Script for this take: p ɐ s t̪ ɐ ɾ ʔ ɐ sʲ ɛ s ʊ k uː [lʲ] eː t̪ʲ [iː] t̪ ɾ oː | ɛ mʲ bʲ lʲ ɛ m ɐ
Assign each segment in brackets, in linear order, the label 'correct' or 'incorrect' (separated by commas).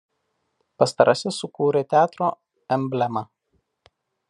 incorrect, incorrect